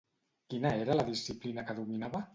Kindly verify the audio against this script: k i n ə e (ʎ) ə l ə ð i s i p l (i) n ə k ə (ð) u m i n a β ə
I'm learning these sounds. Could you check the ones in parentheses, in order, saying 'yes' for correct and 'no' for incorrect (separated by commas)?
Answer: no, yes, yes